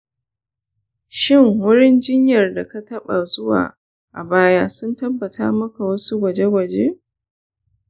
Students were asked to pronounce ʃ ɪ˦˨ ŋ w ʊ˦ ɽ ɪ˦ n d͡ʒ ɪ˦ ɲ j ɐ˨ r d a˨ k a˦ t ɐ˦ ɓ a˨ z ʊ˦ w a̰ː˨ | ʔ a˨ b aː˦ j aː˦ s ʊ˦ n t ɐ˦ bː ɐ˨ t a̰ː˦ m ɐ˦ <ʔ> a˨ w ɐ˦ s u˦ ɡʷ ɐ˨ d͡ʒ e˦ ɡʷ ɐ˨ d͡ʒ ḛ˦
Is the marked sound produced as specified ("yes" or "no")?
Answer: no